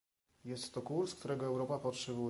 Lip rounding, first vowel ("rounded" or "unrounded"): unrounded